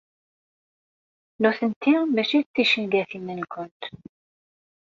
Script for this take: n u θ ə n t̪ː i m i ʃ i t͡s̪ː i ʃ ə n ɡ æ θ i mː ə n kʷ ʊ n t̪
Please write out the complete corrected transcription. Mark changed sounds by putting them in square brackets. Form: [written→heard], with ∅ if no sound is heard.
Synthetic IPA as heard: n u θ ə n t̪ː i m [i→æ] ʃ i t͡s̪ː i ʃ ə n ɡ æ θ i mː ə n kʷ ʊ n t̪